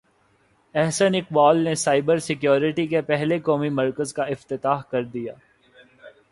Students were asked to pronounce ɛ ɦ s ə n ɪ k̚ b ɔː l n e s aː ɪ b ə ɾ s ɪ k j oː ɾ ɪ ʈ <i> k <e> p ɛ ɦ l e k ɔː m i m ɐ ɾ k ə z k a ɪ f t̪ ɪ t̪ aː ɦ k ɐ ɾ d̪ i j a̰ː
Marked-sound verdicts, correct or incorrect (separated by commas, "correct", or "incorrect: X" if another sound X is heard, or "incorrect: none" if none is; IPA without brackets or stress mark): correct, correct